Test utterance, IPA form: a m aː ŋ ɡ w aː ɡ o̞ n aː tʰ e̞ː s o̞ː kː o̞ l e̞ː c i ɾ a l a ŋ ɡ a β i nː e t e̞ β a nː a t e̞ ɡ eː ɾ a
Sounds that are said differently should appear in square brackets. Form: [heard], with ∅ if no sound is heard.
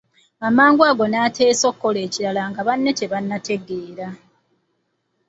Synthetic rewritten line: a m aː ŋ ɡ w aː ɡ o̞ n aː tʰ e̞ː s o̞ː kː o̞ l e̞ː c i ɾ a l a ŋ ɡ a β [a] nː e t e̞ β a nː a t e̞ ɡ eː ɾ a